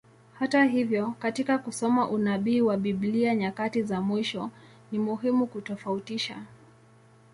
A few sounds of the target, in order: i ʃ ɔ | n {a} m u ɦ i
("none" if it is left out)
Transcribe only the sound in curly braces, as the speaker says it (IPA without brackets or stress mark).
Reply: i